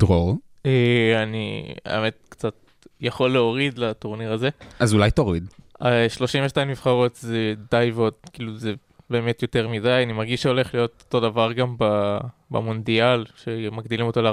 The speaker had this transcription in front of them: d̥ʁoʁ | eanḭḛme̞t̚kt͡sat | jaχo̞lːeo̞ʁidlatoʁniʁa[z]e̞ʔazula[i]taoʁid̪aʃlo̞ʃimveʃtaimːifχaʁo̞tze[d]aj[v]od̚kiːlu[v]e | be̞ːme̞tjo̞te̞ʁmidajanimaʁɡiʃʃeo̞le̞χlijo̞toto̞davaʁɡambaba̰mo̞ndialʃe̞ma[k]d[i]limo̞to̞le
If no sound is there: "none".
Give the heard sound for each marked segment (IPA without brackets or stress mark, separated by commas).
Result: z, j, d, v, z, ɡ, i